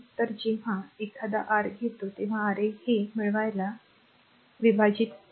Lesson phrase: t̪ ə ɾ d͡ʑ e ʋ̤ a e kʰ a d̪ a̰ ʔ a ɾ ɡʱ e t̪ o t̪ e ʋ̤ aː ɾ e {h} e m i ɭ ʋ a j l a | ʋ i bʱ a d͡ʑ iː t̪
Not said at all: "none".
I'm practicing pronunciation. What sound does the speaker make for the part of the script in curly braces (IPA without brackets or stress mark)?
h